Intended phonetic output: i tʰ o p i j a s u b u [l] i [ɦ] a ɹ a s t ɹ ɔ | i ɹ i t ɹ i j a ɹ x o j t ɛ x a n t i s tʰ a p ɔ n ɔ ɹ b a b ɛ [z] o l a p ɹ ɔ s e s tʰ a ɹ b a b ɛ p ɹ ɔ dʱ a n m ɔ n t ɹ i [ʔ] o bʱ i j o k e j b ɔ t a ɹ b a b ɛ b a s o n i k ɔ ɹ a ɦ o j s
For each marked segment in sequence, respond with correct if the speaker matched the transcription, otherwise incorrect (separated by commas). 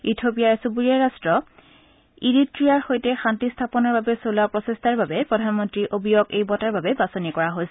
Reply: incorrect, incorrect, incorrect, correct